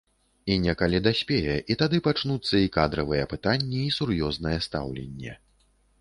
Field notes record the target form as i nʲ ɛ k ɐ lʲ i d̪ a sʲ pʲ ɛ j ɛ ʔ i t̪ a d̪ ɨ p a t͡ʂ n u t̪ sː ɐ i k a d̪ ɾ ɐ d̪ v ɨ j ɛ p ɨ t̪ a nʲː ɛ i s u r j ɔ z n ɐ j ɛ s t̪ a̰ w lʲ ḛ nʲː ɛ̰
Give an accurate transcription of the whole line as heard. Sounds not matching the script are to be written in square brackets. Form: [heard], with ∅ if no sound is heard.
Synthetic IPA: i nʲ ɛ k [a] lʲ i d̪ a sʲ pʲ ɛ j ɛ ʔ i t̪ a d̪ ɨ p a t͡ʂ n u t̪ sː ɐ i k a d̪ ɾ ɐ [∅] v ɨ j ɛ p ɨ t̪ a nʲː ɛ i s u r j ɔ z n ɐ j ɛ s t̪ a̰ w lʲ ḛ nʲː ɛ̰